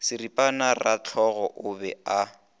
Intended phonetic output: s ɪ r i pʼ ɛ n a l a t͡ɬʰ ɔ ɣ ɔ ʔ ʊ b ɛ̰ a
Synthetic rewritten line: s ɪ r i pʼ a n a r a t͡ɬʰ ɔ ɣ ɔ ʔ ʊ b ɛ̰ a